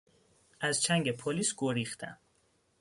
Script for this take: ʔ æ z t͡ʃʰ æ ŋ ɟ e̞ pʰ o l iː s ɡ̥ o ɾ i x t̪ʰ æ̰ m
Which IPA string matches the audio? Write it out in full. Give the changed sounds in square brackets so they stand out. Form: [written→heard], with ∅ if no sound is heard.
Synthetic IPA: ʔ æ z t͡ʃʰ æ ŋ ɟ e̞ pʰ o l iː s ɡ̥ o ɾ i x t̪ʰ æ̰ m